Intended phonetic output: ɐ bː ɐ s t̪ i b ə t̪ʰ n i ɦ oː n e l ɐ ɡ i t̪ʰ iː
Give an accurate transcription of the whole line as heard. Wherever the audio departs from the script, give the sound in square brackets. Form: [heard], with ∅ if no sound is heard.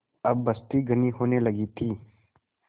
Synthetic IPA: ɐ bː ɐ s t̪ i [ɡ] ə [∅] n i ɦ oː n e l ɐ ɡ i t̪ʰ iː